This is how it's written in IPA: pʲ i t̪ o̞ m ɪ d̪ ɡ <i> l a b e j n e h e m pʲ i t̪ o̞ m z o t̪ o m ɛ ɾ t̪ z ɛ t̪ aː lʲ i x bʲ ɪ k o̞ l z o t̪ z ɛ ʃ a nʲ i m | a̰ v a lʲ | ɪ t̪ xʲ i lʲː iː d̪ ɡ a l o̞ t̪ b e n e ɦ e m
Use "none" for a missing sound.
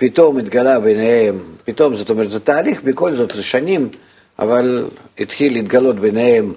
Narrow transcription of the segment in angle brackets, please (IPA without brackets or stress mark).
a